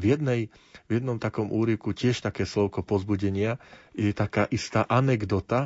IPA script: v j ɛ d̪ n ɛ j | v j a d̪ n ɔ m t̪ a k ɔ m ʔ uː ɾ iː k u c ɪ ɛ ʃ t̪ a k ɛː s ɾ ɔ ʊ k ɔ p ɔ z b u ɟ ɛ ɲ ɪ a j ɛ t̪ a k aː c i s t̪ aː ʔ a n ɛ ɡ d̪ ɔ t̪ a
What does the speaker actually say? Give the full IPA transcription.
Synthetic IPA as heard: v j ɛ d̪ n ɛ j | v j ɛ d̪ n ɔ m t̪ a k ɔ m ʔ uː ɾ i k u c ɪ ɛ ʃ t̪ a k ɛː s l ɔ ʊ k ɔ p ɔ z b u ɟ ɛ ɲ ɪ a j ɛ t̪ a k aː ʔ i s t̪ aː ʔ a n ɛ ɡ d̪ ɔ t̪ a